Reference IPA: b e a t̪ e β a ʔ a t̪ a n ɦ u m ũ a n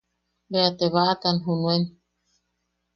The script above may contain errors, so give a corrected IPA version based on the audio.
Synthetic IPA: b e a t̪ e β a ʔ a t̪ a n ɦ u n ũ e n